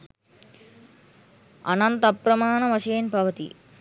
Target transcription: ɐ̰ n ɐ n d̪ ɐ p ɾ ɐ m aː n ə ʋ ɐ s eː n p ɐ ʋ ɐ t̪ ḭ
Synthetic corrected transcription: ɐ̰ n ɐ n t̪ ɐ p ɾ ɐ m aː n ɐ ʋ ɐ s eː n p ɐ ʋ ɐ t̪ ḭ